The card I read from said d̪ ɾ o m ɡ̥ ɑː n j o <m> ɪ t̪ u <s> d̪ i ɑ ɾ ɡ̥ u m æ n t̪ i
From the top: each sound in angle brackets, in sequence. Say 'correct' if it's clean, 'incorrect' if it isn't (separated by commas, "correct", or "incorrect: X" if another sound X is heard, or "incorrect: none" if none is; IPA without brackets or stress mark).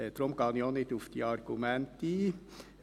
incorrect: n, incorrect: f